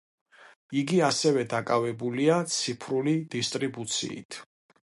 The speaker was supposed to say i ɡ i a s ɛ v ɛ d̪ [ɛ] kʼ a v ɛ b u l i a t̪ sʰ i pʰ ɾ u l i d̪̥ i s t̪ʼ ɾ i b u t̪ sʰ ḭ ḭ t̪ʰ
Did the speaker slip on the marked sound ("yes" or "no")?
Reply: yes